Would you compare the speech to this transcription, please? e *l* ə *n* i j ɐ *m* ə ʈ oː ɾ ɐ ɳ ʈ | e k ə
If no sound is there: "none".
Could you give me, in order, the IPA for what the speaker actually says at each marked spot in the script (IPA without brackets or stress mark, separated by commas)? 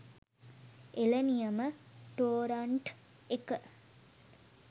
l, n, m